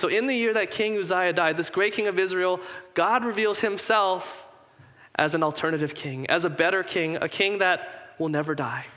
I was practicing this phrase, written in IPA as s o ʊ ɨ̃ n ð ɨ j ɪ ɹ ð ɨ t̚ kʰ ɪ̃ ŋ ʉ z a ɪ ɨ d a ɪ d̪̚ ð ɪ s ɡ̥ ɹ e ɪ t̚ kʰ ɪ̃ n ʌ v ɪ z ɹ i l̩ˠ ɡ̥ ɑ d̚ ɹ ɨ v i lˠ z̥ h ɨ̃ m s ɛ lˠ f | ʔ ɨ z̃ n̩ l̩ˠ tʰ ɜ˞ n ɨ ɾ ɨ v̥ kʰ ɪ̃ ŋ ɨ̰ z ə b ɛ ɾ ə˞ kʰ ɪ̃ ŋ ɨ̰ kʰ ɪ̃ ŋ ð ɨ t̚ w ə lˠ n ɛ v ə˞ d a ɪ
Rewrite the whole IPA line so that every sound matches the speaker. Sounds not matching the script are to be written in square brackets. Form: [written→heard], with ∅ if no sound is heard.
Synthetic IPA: s o ʊ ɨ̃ n ð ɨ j ɪ ɹ ð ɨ t̚ kʰ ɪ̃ ŋ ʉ z a ɪ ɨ d a ɪ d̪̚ ð ɪ s ɡ̥ ɹ e ɪ t̚ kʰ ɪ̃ [n→ŋ] ʌ v ɪ z ɹ i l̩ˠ ɡ̥ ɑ d̚ ɹ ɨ v i lˠ z̥ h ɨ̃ m s ɛ lˠ f | ʔ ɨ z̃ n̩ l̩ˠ tʰ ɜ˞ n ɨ ɾ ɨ v̥ kʰ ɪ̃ ŋ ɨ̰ z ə b ɛ ɾ ə˞ kʰ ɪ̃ ŋ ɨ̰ kʰ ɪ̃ ŋ ð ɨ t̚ w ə lˠ n ɛ v ə˞ d a ɪ